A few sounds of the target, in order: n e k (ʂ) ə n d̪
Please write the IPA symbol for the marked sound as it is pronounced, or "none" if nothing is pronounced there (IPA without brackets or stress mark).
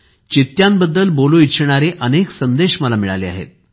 s